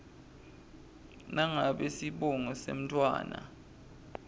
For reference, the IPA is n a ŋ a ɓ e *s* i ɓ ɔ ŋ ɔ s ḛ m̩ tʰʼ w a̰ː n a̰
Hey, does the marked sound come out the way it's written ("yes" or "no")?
yes